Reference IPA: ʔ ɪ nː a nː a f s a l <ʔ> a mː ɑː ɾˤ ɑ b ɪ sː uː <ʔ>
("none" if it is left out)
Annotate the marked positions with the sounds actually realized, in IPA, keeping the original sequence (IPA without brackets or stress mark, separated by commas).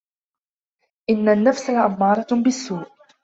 ʔ, ʔ